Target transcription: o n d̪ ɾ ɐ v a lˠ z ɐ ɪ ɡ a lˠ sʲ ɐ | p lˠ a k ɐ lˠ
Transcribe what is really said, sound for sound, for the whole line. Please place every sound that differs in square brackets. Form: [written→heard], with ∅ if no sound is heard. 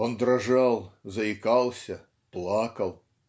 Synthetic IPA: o n d̪ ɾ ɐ [v→ʐ] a lˠ z ɐ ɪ [ɡ→k] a lˠ sʲ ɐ | p lˠ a k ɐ lˠ